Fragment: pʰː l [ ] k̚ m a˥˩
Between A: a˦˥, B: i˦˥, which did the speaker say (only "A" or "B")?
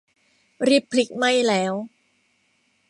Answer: B